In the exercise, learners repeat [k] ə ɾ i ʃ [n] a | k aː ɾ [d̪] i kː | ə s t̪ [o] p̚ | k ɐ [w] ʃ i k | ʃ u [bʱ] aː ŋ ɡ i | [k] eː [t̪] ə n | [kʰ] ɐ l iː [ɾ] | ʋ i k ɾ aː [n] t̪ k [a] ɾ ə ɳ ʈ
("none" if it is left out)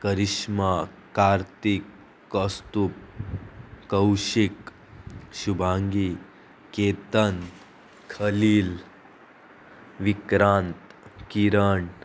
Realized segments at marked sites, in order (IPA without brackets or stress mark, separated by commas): k, m, t̪, u, w, bʱ, k, t̪, kʰ, l, n, i